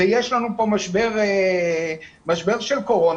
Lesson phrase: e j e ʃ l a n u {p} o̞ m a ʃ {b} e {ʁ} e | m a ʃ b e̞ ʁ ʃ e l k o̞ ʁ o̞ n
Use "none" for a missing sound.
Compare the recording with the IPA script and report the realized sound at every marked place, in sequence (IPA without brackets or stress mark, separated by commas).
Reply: p, b, ʁ